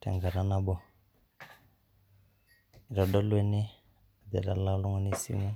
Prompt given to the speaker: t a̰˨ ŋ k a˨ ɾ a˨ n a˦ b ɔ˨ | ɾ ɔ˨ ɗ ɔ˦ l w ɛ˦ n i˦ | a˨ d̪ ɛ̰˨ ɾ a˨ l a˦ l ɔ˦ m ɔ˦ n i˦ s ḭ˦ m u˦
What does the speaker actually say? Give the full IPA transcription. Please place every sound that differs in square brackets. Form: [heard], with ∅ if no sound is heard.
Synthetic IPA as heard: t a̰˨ ŋ [ɡ] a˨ ɾ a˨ n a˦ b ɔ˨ | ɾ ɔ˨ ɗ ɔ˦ l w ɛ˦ n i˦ | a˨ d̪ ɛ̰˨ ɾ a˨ l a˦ l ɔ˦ [ŋ] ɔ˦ n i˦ s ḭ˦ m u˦

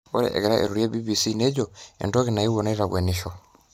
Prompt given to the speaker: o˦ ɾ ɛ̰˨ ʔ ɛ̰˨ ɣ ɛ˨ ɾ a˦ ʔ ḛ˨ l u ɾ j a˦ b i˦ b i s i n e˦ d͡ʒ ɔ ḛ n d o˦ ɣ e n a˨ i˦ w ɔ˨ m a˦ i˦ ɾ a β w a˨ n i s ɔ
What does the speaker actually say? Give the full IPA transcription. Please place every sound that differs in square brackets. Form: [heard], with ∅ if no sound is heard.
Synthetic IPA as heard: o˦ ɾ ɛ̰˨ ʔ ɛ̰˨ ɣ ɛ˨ ɾ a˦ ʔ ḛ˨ [ɾ] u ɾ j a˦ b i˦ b i s i n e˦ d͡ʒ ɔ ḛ n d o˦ ɣ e n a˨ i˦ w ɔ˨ [n] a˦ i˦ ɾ a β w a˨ n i [ʃ] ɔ

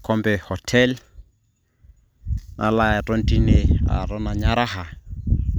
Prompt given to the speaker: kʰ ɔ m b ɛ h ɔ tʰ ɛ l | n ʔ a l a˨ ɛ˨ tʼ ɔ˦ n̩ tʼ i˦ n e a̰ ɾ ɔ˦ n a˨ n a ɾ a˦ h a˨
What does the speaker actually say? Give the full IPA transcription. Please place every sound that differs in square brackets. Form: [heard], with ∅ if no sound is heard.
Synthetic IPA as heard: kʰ ɔ m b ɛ h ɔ tʰ ɛ l | n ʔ a l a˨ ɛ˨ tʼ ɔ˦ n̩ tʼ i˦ n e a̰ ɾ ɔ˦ n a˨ [ɲ] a ɾ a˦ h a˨

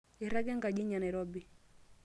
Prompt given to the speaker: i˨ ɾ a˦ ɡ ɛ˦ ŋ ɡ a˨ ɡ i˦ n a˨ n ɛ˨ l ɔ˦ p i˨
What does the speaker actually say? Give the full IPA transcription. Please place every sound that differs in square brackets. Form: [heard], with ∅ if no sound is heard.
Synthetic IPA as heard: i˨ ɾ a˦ ɡ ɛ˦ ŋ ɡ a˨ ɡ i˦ [ɲ] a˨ n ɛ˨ [ɾ] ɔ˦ [b] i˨

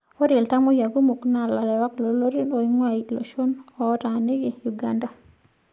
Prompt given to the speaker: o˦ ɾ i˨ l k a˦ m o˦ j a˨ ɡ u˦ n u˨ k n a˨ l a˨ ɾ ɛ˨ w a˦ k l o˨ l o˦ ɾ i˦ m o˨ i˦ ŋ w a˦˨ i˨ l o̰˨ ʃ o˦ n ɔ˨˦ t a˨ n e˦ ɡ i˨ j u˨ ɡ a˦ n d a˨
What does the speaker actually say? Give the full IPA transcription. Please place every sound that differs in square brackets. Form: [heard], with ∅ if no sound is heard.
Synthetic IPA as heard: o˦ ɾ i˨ l [t] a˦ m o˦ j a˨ ɡ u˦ [m] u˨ k n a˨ l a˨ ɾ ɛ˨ w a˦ k l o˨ l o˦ ɾ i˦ [n] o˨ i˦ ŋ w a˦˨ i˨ l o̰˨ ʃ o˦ n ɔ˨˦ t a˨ n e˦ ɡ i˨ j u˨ ɡ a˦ n d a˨

